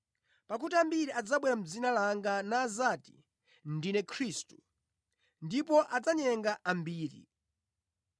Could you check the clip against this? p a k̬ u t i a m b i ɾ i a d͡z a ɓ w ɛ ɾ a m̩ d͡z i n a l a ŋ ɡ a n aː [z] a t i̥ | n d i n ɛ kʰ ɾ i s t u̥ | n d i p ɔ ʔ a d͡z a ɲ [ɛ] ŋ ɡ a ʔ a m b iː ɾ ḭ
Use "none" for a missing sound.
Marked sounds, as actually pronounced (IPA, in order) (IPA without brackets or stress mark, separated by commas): z, ɛ